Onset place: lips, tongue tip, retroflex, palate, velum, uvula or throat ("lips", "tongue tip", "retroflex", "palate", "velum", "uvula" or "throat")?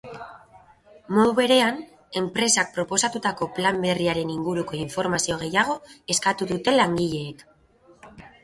lips